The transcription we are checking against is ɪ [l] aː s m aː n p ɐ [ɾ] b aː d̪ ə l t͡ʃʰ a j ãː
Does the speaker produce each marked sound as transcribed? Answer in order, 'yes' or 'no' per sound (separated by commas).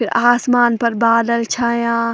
no, yes